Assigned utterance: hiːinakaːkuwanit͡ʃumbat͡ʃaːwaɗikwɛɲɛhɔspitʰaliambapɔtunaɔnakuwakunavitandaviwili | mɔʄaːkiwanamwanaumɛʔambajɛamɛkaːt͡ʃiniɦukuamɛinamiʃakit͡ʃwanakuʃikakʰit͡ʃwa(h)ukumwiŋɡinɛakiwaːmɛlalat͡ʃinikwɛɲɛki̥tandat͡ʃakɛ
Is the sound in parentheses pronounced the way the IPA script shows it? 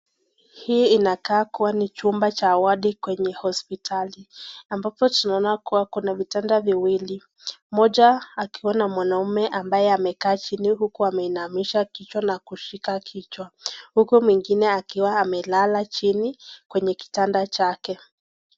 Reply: yes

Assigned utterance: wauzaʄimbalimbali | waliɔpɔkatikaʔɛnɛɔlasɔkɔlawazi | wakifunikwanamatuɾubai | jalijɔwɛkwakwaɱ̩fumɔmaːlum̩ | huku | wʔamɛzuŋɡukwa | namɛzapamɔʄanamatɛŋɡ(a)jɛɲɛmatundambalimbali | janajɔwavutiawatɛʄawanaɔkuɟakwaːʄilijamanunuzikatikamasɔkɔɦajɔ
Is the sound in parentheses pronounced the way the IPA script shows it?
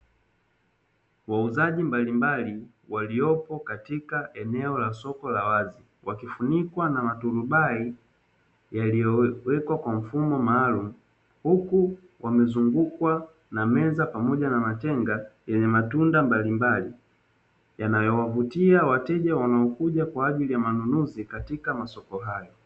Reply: yes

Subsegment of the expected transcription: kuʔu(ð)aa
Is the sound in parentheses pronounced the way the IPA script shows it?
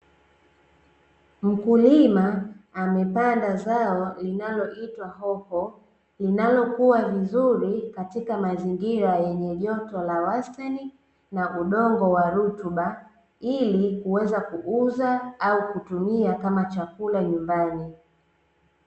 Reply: no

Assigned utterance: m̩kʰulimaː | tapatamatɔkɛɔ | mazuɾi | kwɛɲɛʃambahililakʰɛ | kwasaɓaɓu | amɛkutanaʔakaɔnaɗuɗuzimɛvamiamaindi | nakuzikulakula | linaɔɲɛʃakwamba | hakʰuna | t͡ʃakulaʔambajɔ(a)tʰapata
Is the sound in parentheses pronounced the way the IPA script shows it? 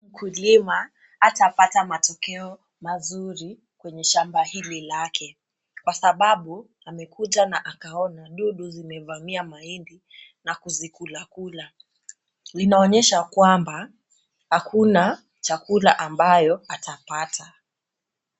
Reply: yes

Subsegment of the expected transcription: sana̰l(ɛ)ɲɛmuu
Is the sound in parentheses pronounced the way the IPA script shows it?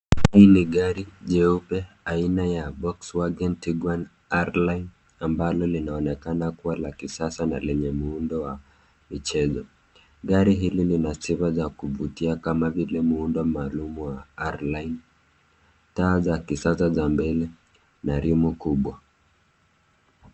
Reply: yes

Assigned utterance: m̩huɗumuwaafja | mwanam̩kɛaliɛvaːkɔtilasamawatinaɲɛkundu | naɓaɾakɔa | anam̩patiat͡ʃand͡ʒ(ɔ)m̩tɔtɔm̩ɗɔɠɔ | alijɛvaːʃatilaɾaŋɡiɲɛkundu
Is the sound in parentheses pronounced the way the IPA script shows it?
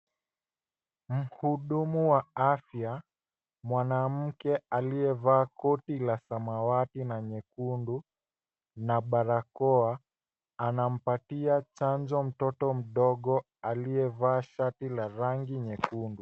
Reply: yes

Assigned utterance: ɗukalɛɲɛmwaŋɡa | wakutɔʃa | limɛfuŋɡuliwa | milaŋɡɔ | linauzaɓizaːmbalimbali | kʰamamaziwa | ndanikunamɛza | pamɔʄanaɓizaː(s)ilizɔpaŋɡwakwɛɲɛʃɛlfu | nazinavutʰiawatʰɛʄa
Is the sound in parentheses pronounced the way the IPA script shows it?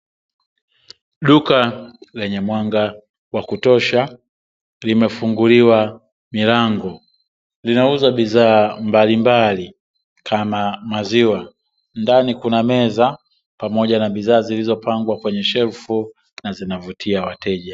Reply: no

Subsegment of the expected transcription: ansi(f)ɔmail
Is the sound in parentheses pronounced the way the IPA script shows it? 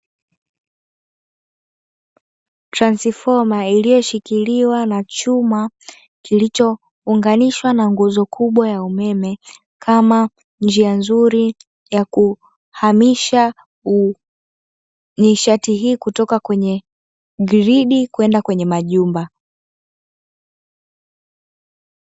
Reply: yes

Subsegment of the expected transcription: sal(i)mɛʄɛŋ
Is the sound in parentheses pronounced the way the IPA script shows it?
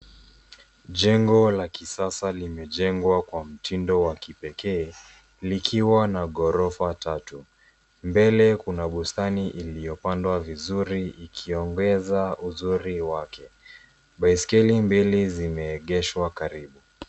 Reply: yes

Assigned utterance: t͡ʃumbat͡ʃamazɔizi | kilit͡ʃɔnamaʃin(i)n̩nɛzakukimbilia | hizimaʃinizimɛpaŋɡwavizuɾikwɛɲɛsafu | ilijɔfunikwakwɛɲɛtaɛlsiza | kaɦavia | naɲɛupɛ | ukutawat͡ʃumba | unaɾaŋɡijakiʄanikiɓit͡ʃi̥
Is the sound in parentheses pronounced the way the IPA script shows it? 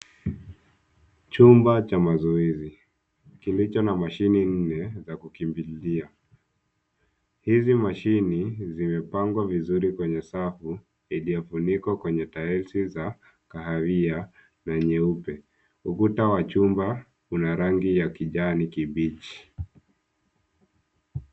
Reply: yes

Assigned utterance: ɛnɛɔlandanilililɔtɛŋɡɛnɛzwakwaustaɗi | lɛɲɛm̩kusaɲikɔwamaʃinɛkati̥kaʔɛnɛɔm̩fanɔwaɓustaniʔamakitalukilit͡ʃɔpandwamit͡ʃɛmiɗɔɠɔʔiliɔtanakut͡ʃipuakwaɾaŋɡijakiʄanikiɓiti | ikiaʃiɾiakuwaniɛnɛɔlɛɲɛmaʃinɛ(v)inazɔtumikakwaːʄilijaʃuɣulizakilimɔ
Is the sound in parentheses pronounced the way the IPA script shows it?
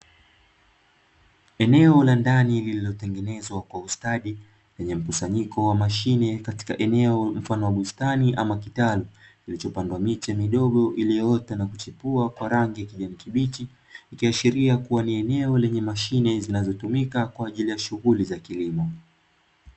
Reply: no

